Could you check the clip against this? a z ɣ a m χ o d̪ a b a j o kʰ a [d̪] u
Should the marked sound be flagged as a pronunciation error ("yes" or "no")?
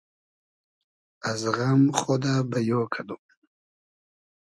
no